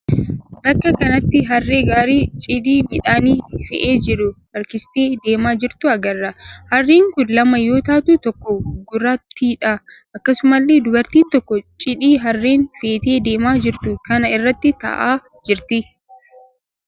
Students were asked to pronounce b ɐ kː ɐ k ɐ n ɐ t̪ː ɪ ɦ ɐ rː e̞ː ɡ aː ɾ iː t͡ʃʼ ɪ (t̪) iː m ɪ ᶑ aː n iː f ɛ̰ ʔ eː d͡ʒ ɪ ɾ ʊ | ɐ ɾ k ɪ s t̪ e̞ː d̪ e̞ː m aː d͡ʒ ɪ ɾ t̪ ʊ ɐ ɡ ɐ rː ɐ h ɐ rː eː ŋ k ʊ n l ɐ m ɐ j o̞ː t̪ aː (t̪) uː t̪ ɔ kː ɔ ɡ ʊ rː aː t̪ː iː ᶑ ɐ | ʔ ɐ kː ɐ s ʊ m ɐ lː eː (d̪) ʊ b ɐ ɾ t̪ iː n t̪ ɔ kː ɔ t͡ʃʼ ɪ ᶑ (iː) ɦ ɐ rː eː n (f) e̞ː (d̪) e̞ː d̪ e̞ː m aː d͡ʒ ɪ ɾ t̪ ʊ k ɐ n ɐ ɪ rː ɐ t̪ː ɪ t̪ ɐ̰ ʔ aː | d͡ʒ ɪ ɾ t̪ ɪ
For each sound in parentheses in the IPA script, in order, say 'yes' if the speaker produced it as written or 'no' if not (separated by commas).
no, yes, yes, yes, yes, no